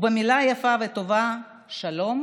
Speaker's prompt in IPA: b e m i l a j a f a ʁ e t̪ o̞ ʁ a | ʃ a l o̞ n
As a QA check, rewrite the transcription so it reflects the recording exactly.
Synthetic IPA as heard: b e m i l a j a f a v e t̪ o̞ v a | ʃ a l o̞ m